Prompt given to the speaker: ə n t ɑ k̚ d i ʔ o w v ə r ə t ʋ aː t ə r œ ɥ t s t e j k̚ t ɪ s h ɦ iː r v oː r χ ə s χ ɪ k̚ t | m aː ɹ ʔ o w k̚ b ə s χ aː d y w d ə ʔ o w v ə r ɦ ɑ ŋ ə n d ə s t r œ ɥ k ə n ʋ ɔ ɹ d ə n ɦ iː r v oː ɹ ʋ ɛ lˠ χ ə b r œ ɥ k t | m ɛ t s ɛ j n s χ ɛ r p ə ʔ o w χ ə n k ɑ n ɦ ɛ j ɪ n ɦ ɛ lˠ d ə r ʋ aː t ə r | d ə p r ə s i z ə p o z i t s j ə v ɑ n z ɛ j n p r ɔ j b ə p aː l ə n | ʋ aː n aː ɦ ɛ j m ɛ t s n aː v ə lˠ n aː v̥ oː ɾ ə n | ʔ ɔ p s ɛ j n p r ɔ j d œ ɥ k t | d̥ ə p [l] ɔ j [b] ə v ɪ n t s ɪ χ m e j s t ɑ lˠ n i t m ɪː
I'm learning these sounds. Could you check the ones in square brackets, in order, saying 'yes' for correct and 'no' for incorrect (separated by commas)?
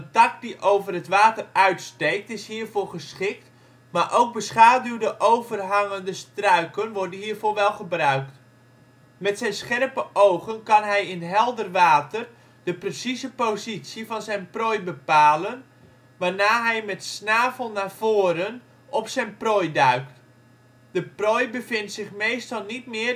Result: no, yes